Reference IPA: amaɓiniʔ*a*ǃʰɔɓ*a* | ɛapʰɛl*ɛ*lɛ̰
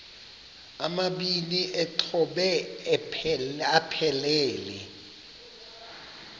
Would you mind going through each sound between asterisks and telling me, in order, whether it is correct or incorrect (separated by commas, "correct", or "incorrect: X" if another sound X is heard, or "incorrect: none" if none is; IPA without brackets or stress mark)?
incorrect: ɛ, incorrect: ɛ, incorrect: ɛː